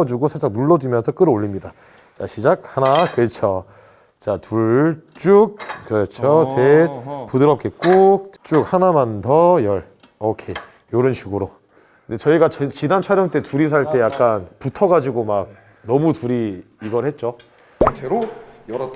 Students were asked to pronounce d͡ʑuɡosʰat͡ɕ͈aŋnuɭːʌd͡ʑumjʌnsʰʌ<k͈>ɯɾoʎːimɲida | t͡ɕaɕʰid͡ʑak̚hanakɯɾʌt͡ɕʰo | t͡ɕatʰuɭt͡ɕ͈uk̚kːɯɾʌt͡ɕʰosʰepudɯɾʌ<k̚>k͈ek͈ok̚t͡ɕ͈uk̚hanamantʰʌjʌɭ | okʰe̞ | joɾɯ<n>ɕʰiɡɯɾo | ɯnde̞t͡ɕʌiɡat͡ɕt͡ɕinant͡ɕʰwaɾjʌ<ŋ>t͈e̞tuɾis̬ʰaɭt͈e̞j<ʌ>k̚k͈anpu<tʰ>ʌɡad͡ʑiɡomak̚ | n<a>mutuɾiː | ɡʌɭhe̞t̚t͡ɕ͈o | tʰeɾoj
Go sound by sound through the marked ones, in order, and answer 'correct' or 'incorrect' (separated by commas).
correct, incorrect, correct, correct, incorrect, correct, incorrect